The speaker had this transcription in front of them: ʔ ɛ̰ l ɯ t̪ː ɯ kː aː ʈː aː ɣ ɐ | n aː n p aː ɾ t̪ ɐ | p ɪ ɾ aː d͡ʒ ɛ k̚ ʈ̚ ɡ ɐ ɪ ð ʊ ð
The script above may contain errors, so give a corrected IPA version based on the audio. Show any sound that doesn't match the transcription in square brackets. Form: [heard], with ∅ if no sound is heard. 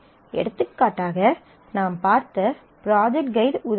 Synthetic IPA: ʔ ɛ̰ [ɽ] ɯ t̪ː ɯ kː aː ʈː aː ɣ ɐ | n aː [m] p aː ɾ t̪ ɐ | p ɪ ɾ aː d͡ʒ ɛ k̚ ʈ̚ ɡ ɐ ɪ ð ʊ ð

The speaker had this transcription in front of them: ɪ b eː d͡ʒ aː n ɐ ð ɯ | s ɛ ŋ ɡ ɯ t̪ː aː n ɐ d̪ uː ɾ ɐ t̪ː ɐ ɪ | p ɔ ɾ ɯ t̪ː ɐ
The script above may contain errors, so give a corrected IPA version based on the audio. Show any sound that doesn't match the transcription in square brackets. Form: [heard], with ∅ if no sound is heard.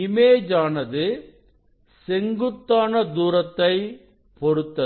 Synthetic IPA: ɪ [m] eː d͡ʒ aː n ɐ ð ɯ | s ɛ ŋ ɡ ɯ t̪ː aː n ɐ d̪ uː ɾ ɐ t̪ː ɐ ɪ | p ɔ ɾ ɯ t̪ː ɐ

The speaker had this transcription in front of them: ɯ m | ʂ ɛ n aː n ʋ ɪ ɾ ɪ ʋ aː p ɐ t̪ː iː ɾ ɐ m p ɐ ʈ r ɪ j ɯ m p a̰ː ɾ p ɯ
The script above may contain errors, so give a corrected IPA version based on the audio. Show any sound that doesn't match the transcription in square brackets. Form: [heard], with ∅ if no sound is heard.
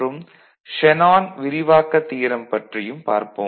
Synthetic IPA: ɯ m | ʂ ɛ n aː n ʋ ɪ ɾ ɪ ʋ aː [k] ɐ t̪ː iː ɾ ɐ m p ɐ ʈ r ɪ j ɯ m p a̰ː ɾ p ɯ

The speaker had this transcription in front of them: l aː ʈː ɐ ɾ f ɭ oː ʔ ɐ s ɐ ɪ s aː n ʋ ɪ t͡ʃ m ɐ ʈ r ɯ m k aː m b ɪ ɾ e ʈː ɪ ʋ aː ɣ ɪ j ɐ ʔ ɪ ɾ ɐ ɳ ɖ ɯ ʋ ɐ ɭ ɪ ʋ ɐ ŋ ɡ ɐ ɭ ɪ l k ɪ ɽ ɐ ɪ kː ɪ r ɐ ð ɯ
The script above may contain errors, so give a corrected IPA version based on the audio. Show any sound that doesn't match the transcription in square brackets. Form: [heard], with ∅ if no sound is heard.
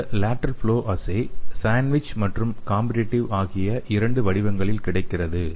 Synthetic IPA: l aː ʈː ɐ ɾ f ɭ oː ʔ ɐ s ɐ ɪ s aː n ʋ ɪ t͡ʃ m ɐ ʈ r ɯ m k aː m b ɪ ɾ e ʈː ɪ ʋ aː ɣ ɪ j ɐ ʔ ɪ ɾ ɐ ɳ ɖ ɯ ʋ ɐ [ɽ] ɪ ʋ ɐ ŋ ɡ ɐ ɭ ɪ l k ɪ ɽ ɐ ɪ kː ɪ r ɐ ð ɯ

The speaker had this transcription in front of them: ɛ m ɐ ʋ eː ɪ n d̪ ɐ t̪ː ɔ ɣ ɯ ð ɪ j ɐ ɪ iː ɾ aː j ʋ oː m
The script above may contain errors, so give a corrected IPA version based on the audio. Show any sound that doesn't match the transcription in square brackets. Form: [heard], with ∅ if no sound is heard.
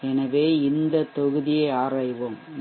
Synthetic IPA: ɛ [n] ɐ ʋ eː ɪ n d̪ ɐ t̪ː ɔ ɣ ɯ ð ɪ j ɐ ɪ [aː] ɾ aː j ʋ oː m

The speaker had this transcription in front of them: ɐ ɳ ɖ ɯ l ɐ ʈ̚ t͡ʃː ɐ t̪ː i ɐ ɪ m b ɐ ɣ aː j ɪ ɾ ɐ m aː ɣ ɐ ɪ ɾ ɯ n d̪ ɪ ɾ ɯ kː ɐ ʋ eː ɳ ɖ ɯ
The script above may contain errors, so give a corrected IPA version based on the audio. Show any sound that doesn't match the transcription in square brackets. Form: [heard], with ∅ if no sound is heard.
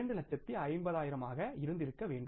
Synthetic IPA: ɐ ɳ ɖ ɯ l ɐ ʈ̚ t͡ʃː ɐ t̪ː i ɐ ɪ m b ɐ [ð] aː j ɪ ɾ ɐ m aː ɣ ɐ ɪ ɾ ɯ n d̪ ɪ ɾ ɯ kː ɐ ʋ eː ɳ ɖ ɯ

